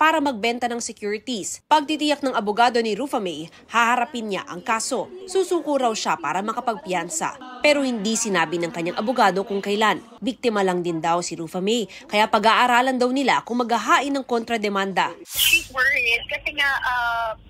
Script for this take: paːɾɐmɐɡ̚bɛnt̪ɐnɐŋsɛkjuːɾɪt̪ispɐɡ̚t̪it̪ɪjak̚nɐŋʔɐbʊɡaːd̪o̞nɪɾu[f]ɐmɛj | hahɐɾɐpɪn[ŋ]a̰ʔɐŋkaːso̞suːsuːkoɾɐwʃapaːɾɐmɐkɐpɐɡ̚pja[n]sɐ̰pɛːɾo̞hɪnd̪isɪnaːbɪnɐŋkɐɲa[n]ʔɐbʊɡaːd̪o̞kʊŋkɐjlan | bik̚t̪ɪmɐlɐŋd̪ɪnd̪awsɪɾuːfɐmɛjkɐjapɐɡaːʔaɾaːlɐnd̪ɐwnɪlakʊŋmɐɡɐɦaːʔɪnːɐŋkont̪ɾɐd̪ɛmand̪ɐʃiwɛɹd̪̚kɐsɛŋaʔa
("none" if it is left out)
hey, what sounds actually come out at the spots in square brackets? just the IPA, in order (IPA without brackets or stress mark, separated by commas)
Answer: f, ɲ, n, ŋ